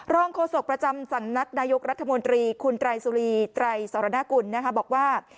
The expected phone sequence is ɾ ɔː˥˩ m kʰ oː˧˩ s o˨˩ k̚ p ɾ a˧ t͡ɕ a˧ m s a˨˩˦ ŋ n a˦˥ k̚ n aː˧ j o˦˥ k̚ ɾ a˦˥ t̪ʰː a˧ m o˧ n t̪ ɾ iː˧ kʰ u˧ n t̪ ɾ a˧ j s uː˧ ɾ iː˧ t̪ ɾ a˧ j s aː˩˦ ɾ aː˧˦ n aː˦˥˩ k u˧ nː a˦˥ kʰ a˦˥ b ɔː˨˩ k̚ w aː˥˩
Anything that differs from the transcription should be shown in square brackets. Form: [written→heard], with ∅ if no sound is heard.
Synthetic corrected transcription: ɾ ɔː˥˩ [m→ŋ] kʰ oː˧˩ s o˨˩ k̚ p ɾ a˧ t͡ɕ a˧ m s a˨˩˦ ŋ n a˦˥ k̚ n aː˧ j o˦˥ k̚ ɾ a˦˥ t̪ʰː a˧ m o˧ n t̪ ɾ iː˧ kʰ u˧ n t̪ ɾ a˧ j s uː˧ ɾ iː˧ t̪ ɾ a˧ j s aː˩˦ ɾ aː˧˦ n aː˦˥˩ k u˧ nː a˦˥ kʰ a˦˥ b ɔː˨˩ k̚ w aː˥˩